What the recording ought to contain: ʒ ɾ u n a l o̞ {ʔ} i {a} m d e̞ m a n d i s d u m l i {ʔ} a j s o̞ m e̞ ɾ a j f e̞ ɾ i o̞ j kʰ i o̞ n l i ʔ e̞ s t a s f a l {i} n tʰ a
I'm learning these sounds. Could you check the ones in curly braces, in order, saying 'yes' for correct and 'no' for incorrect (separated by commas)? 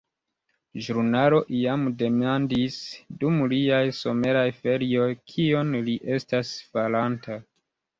yes, yes, no, no